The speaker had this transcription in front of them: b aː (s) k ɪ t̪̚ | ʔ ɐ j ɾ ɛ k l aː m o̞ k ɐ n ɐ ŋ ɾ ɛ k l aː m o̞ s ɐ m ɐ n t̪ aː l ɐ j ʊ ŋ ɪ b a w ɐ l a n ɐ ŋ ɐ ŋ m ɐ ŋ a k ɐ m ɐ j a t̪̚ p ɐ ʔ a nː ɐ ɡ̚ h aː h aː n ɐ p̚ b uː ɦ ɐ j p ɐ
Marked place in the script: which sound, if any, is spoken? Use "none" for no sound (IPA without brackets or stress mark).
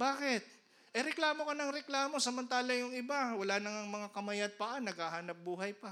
none